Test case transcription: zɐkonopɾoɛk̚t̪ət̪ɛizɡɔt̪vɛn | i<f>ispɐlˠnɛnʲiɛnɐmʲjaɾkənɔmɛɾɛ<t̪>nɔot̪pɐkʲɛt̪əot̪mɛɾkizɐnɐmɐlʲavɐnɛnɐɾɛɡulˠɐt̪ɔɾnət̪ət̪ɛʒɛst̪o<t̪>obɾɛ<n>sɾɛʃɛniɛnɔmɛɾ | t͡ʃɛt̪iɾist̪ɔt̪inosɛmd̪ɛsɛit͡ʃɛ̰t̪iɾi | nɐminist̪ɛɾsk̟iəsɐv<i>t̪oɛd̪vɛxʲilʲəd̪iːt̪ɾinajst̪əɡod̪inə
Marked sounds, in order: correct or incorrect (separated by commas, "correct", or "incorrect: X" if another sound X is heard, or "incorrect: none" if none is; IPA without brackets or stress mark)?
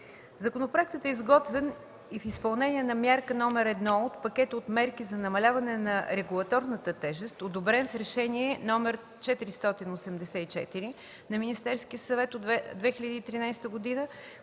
correct, incorrect: d̪, incorrect: d̪, correct, incorrect: ɛ